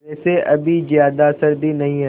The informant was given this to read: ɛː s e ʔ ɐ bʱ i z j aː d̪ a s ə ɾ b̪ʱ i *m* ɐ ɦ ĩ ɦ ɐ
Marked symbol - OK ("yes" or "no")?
no